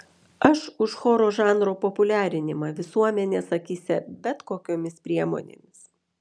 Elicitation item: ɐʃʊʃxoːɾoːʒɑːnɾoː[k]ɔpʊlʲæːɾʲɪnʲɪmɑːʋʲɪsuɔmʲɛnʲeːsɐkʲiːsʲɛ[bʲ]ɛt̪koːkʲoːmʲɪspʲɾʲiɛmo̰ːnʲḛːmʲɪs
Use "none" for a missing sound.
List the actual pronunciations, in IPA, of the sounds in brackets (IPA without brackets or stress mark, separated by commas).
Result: p, bʲ